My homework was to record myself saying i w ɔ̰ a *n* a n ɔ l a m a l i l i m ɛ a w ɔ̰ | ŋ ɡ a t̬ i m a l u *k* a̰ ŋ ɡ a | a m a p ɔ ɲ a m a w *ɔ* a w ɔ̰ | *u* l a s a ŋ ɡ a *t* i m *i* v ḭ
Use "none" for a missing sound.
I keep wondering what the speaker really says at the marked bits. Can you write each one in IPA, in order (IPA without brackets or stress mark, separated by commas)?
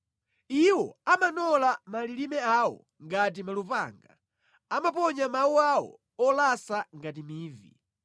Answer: m, p, u, ɔ, t, iː